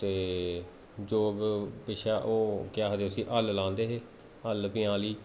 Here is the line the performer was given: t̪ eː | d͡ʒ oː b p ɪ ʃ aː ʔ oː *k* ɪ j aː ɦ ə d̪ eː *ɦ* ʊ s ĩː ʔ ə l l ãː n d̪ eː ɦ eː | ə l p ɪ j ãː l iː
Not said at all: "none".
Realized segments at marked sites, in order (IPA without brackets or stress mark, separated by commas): k, none